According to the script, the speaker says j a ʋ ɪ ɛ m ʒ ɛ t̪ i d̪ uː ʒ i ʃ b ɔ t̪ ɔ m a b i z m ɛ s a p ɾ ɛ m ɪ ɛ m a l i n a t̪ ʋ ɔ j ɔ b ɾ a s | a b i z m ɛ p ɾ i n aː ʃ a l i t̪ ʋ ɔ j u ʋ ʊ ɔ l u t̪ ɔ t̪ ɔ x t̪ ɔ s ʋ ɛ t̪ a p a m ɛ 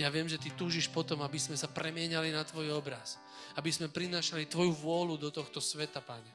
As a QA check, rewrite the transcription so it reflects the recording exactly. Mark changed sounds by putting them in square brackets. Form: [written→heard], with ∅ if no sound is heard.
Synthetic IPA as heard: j a ʋ ɪ ɛ m ʒ ɛ t̪ i [d̪→t̪] uː ʒ i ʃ [b→p] ɔ t̪ ɔ m a b i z m ɛ s a p ɾ ɛ m ɪ ɛ [m→ɲ] a l i n a t̪ ʋ ɔ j ɔ b ɾ a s | a b i z m ɛ p ɾ i n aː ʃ a l i t̪ ʋ ɔ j u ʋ ʊ ɔ l u [t̪→d̪] ɔ t̪ ɔ x t̪ ɔ s ʋ ɛ t̪ a p a [m→ɲ] ɛ